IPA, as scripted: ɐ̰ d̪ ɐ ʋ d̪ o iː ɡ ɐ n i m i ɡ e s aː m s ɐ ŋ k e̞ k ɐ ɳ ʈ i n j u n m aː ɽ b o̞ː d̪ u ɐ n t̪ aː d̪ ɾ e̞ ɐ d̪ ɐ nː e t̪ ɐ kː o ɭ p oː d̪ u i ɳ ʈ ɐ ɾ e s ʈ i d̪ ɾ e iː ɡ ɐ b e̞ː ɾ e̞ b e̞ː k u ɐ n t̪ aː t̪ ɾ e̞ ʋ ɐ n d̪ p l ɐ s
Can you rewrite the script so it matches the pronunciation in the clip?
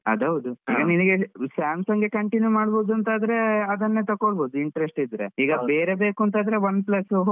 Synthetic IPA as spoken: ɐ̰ d̪ ɐ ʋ d̪ u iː ɡ ɐ n i n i ɡ e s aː m s ɐ ŋ ɡ e̞ k ɐ ɳ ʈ i n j u m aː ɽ b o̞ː d̪ u ɐ n t̪ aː d̪ ɾ e̞ ɐ d̪ ɐ nː e t̪ ɐ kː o ɭ b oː d̪ u i ɳ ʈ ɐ ɾ e s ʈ i d̪ ɾ e iː ɡ ɐ b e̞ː ɾ e̞ b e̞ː k u ɐ n t̪ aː d̪ ɾ e̞ ʋ ɐ n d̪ p l ɐ s